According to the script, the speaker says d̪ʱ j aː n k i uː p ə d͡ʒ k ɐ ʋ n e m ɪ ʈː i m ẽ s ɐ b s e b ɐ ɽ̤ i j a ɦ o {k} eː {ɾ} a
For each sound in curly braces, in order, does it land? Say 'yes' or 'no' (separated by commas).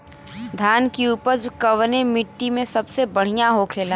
no, no